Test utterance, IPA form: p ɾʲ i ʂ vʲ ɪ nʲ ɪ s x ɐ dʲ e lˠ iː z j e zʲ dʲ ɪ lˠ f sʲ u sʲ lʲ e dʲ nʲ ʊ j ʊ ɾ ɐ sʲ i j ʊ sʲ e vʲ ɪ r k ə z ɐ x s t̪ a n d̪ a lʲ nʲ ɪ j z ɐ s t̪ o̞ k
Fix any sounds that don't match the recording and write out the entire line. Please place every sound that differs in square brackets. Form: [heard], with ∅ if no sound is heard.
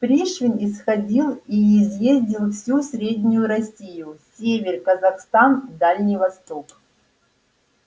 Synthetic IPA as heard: p ɾʲ i ʂ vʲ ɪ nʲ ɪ s x ɐ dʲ [i] lˠ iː z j e zʲ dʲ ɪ lˠ f sʲ u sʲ [ɾʲ] e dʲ nʲ ʊ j ʊ ɾ ɐ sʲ i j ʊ sʲ e vʲ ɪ r k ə z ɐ x s t̪ a n d̪ a lʲ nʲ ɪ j [v] ɐ s t̪ o̞ k

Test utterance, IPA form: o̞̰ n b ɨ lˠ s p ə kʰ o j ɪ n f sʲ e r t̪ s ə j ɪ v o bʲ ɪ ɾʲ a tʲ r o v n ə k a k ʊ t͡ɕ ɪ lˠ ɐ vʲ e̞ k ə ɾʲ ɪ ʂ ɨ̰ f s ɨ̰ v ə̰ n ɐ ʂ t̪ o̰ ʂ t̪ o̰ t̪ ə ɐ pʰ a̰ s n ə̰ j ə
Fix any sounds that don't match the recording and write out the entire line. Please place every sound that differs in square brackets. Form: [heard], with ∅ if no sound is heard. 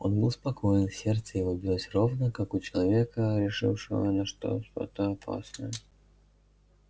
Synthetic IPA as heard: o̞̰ n b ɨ lˠ s p [ɐ] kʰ o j ɪ n f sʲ e r t̪ s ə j ɪ v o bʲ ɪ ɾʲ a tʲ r o v n ə k a k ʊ t͡ɕ ɪ lˠ ɐ vʲ e̞ k ə ɾʲ ɪ ʂ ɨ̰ f [ʂ] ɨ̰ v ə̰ n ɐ ʂ t̪ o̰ ʂ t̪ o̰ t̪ ə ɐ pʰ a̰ s n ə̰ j ə

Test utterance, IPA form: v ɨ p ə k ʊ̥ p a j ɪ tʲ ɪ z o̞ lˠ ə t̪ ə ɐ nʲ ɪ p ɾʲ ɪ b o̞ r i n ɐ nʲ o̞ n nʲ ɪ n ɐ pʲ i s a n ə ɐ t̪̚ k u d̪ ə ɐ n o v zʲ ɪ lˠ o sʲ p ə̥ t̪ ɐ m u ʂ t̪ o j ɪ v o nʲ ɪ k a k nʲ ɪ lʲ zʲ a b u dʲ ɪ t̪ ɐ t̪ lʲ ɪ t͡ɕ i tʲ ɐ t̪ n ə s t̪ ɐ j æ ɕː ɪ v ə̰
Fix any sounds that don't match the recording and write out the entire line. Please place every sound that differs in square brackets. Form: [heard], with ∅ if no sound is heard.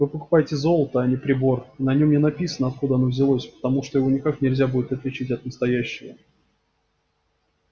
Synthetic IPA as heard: v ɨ p ə k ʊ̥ p a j ɪ tʲ ɪ z o̞ lˠ ə t̪ ə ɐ nʲ ɪ p ɾʲ ɪ b o̞ r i n ɐ nʲ o̞ [m] nʲ ɪ n ɐ pʲ i s [ə] n ə ɐ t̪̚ k u d̪ ə ɐ n o v zʲ ɪ lˠ o sʲ p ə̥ t̪ ɐ m u ʂ t̪ o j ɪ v o nʲ ɪ k a k nʲ ɪ lʲ zʲ a b u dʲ ɪ t̪ ɐ t̪ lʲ ɪ t͡ɕ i tʲ ɐ t̪ n ə s t̪ ɐ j æ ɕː ɪ v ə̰

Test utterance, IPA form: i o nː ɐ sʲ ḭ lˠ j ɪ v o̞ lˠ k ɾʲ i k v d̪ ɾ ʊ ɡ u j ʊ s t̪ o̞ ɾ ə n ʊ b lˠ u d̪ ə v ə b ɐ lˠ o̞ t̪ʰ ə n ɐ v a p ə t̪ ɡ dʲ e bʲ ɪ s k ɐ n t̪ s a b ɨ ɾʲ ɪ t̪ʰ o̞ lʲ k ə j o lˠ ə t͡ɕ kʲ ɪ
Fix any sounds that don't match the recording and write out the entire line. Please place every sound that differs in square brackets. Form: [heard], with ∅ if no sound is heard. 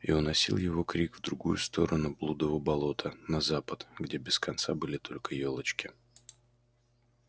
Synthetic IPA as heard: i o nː ɐ sʲ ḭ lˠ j ɪ v o̞ [∅] k ɾʲ i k v d̪ ɾ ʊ ɡ u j ʊ s t̪ o̞ ɾ ə n ʊ b lˠ u d̪ ə v ə b ɐ lˠ o̞ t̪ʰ ə n ɐ [z] a p ə t̪ ɡ dʲ e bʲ ɪ s k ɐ n t̪ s a b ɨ [lʲ] ɪ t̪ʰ o̞ lʲ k ə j o lˠ ə t͡ɕ kʲ ɪ

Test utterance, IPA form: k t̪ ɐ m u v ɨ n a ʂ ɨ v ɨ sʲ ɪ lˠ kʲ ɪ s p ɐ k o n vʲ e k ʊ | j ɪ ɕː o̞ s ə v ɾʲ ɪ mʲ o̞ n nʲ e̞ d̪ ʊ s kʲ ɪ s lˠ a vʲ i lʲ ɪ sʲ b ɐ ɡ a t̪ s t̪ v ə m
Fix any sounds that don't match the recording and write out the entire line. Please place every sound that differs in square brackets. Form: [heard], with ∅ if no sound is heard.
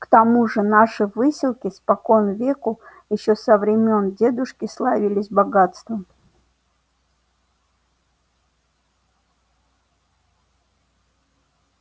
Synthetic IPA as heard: k t̪ ɐ m u [ʐ] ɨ n a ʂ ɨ v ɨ sʲ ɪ lˠ kʲ ɪ s p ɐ k o n vʲ e k ʊ | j ɪ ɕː o̞ s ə v ɾʲ ɪ mʲ o̞ n [dʲ] e̞ d̪ ʊ [ʂ] kʲ ɪ s lˠ a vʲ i lʲ ɪ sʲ b ɐ ɡ a t̪ s t̪ v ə m

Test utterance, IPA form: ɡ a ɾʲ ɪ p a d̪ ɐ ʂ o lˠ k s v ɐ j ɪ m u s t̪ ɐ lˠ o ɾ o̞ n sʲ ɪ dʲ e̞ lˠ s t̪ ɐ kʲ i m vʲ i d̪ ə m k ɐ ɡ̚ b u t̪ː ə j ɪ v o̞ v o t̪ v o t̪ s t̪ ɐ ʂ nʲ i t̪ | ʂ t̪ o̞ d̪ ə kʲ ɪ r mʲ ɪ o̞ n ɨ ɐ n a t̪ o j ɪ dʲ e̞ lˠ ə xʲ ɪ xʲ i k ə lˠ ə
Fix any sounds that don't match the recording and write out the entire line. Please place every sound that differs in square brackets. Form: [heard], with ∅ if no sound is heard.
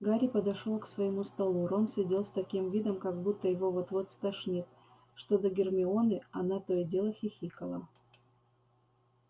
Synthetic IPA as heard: ɡ a ɾʲ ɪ p [ə] d̪ ɐ ʂ o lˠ k s v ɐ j ɪ m u s t̪ ɐ lˠ [u] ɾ o̞ n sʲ ɪ dʲ e̞ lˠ s t̪ ɐ kʲ i m vʲ i d̪ ə m k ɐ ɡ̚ b u t̪ː ə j ɪ v o̞ v o t̪ v o t̪ s t̪ ɐ ʂ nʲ i t̪ | ʂ t̪ o̞ d̪ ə [ɡʲ] ɪ r mʲ ɪ o̞ n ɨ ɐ n a t̪ o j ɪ dʲ e̞ lˠ ə xʲ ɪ xʲ i k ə lˠ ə

